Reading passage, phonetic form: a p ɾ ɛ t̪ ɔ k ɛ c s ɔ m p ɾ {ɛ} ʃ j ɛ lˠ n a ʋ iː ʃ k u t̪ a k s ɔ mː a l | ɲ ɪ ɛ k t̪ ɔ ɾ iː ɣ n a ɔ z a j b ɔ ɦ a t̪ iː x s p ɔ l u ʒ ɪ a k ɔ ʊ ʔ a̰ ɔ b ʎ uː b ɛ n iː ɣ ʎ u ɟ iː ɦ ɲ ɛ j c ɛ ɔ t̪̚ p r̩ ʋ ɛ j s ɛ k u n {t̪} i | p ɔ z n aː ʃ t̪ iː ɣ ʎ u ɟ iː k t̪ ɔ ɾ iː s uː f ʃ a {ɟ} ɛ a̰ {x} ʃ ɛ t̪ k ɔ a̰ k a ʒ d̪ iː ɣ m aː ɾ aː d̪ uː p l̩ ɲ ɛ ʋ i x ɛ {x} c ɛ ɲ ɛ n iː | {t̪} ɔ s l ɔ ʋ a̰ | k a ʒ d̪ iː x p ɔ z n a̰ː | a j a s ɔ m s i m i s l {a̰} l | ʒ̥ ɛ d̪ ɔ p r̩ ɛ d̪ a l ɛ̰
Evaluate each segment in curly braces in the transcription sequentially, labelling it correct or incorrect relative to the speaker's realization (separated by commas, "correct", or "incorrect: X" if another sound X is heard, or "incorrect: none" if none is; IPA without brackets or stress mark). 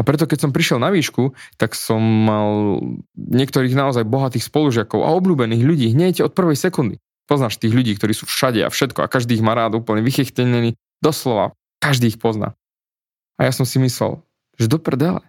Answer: incorrect: i, incorrect: d̪, correct, incorrect: f, correct, incorrect: d̪, incorrect: ɛ̰